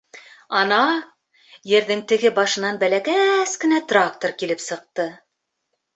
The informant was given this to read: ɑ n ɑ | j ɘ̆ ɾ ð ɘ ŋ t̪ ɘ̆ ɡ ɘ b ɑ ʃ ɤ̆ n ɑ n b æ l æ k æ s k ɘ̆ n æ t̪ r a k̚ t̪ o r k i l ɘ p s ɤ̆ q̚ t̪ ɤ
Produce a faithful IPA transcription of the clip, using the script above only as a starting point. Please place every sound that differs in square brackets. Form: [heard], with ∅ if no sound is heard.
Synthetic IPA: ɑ n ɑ | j ɘ̆ ɾ ð ɘ ŋ t̪ ɘ̆ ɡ ɘ b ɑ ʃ ɤ̆ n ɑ n b æ l æ k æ s k ɘ̆ n æ t̪ r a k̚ t̪ o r k i l ɘ p s ɤ̆ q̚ t̪ ɤ